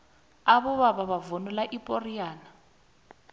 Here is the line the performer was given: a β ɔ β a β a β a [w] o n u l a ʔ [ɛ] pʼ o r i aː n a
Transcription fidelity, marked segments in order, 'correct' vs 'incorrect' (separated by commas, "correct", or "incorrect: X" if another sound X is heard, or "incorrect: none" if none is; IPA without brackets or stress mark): incorrect: v, incorrect: i